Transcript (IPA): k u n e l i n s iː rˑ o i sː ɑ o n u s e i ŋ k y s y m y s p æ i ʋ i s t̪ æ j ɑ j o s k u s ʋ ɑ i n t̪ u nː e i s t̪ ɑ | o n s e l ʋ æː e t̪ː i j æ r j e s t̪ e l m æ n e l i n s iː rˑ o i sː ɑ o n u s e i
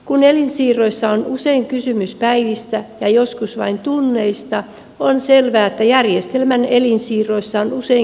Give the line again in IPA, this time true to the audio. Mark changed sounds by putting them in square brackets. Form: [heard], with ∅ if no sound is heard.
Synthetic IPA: k u n e l i n s iː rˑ o i sː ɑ o n u s e i ŋ k y s y m y s p æ i ʋ i s t̪ æ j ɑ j o s k u s ʋ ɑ i n t̪ u nː e i s t̪ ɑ | o n s e l ʋ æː e t̪ː [æ] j æ r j e s t̪ e l m æ n e l i n s iː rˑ o i sː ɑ o n u s e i